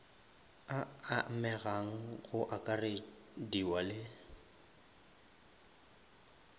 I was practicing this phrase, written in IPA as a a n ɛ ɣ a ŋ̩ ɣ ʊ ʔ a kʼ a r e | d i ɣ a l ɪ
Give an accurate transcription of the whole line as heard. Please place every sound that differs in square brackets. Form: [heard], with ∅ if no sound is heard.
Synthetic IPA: a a [m] ɛ ɣ a ŋ̩ ɣ ʊ ʔ a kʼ a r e | d i [w] a l ɪ